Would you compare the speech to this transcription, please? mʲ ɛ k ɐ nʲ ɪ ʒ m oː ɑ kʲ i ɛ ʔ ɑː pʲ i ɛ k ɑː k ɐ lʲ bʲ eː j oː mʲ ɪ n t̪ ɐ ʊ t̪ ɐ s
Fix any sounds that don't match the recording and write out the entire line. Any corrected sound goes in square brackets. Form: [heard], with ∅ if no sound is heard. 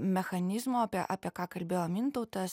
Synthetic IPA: mʲ ɛ [x] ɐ nʲ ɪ [z] m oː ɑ [pʲ] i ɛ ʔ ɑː pʲ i ɛ k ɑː k ɐ lʲ bʲ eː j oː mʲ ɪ n t̪ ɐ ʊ t̪ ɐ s